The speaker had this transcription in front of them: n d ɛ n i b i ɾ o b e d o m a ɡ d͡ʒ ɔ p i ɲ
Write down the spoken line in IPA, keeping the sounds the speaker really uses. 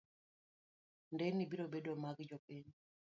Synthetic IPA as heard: n d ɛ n i b i ɾ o b e d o m a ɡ d͡ʒ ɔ p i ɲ